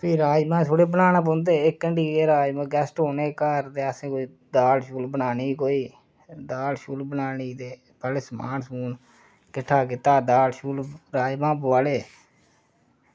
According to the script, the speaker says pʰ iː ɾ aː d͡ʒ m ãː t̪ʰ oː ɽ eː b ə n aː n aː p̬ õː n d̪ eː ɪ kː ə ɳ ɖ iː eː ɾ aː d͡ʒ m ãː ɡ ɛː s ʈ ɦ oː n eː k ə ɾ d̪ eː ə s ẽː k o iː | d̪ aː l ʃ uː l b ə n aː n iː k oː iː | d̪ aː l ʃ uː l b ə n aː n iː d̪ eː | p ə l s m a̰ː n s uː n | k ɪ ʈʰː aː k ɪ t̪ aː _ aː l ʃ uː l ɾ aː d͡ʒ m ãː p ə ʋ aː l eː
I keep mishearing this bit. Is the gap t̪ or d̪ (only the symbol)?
d̪